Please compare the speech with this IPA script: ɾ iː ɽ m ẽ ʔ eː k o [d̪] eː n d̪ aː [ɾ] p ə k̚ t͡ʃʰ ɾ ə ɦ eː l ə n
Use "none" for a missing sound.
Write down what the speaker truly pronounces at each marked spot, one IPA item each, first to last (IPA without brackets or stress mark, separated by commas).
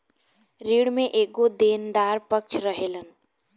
d̪, ɾ